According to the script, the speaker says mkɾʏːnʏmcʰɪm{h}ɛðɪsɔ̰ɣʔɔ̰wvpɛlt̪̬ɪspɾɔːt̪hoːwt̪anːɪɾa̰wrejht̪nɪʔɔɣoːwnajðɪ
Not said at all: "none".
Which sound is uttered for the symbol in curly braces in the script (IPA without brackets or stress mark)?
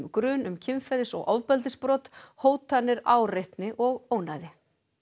f